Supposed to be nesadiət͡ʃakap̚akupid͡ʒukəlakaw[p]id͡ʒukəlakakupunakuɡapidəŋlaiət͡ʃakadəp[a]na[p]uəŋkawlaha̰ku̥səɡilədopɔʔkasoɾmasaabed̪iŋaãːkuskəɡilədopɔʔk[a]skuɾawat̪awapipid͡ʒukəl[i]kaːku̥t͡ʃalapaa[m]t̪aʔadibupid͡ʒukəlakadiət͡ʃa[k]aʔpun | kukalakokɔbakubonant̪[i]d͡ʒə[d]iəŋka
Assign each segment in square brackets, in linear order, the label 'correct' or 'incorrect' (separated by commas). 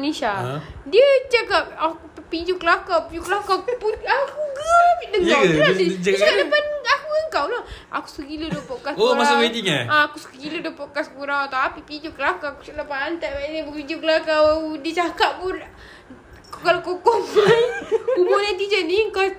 correct, correct, incorrect, correct, incorrect, incorrect, correct, correct, incorrect